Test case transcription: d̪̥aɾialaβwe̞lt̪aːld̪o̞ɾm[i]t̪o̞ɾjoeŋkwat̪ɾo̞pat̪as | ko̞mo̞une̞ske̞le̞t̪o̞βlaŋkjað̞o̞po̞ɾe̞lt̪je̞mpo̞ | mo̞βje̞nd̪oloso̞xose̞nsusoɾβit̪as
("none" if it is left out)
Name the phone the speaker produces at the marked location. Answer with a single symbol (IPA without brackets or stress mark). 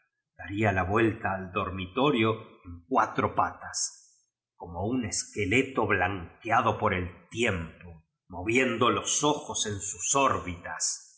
i